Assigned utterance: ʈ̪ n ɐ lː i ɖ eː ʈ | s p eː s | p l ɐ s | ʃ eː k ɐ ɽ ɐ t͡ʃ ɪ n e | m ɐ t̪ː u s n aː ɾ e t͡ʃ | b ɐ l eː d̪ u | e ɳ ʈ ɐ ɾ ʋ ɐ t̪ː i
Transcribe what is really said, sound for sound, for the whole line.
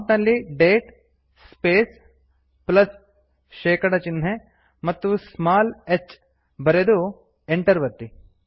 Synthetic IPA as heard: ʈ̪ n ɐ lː i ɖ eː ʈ | s p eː s | p l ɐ s | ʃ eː k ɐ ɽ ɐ t͡ʃ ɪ n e | m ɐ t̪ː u s m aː l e t͡ʃ | b ɐ ɾ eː d̪ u | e ɳ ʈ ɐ ɾ ʋ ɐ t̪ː i